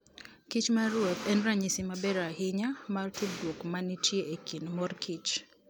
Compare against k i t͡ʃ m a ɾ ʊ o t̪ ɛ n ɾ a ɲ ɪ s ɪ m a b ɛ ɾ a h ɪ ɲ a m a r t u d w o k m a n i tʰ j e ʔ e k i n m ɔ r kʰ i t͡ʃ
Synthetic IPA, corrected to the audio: k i t͡ʃ m a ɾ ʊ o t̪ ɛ n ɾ a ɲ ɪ s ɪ m a b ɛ ɾ a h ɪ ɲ a m a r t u d w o k m a n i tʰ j e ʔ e k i n m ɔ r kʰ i t͡ʃ